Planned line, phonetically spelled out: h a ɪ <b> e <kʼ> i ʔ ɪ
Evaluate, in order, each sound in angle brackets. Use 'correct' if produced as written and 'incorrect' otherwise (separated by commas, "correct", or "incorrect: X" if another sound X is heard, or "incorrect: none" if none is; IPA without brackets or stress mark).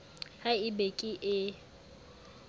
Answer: correct, correct